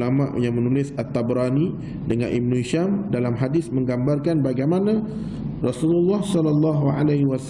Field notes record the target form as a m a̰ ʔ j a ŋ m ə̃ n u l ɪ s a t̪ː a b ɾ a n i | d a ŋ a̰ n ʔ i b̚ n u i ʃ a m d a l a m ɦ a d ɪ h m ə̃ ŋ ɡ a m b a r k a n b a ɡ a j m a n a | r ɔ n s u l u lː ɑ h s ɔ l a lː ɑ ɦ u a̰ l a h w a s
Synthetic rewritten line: a m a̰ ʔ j a ŋ m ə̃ n u l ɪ s a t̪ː a b ɾ a n i | d ə ŋ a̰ n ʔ i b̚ n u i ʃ a m d a l a m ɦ a d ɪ s m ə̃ ŋ ɡ a m b a r k a n b a ɡ a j m a n a | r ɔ s u l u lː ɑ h s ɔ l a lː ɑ ɦ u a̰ l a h w a s